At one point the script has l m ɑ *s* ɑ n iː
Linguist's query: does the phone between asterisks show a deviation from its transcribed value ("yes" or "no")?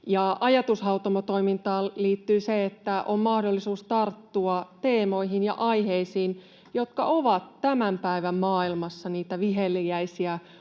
yes